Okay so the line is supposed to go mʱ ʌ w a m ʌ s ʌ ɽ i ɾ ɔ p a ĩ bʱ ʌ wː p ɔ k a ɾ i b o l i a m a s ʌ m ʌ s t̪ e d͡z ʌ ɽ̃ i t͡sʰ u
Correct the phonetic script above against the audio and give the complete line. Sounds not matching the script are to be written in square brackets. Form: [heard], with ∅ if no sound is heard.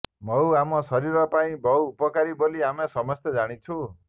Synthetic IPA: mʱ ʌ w a m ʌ s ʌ [ɾ] i ɾ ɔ p a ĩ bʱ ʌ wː p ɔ k a ɾ i b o l i a m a s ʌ m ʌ s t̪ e d͡z [a] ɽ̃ i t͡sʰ u